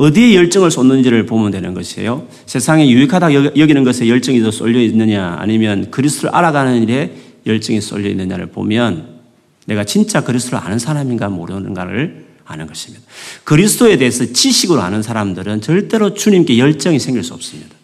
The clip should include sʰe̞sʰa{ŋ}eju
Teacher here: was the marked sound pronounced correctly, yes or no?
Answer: yes